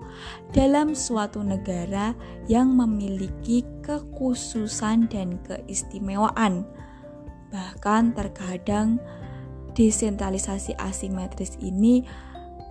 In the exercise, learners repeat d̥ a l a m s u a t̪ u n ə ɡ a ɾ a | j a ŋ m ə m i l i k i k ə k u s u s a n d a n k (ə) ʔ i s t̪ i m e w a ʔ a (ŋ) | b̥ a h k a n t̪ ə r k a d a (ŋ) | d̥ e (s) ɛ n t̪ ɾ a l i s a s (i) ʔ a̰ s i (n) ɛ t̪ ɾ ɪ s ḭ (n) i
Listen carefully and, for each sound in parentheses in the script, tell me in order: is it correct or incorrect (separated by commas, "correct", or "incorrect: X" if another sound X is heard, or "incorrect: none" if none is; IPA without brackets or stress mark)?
correct, incorrect: n, correct, correct, correct, incorrect: m, correct